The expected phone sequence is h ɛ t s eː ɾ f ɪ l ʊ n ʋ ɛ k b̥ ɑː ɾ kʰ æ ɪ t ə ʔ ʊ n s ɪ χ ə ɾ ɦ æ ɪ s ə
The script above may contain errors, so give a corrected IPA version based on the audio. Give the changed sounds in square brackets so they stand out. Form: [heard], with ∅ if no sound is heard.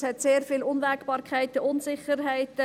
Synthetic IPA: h ɛ t s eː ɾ f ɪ l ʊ n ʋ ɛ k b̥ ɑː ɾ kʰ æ ɪ t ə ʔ ʊ n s ɪ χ ə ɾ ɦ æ ɪ [t] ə